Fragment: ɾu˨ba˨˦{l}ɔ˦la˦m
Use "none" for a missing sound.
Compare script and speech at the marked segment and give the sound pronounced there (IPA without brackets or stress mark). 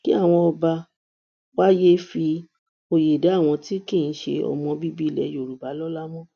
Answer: l